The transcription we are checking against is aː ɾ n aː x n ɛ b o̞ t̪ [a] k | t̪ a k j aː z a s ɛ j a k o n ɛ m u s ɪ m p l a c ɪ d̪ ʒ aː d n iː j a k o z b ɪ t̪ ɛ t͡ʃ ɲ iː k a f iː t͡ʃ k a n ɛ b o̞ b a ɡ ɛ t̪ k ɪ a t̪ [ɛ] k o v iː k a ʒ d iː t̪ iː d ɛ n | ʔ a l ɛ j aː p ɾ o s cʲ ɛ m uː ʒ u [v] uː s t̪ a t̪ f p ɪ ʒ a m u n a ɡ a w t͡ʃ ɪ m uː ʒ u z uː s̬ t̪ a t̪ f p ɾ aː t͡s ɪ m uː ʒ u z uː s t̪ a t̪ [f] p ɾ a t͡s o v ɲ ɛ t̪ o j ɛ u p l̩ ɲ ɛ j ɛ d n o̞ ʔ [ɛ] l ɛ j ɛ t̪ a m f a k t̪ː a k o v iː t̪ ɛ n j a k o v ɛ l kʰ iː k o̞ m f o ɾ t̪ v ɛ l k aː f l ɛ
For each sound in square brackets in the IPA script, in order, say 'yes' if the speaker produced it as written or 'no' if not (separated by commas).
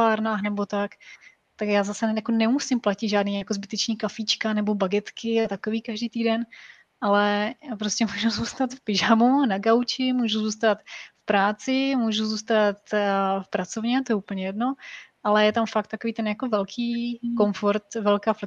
yes, no, no, yes, no